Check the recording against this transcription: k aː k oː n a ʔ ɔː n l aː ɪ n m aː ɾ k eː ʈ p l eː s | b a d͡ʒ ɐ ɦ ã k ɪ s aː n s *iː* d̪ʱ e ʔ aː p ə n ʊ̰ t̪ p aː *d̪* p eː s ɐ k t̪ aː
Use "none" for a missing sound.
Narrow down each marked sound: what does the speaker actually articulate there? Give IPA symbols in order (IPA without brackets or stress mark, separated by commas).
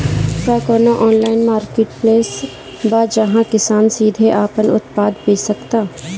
iː, d̪